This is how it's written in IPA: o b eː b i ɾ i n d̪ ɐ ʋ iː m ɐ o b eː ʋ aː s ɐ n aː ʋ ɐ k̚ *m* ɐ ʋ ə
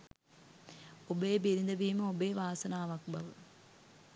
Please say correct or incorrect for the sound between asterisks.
incorrect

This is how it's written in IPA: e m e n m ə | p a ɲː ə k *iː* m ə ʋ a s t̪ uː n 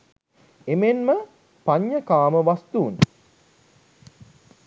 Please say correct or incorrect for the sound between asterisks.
incorrect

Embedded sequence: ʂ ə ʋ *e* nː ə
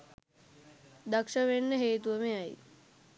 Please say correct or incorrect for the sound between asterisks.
correct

